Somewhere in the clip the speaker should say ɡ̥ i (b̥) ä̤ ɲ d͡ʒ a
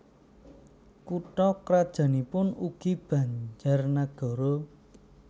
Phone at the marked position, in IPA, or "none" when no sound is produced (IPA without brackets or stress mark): b̥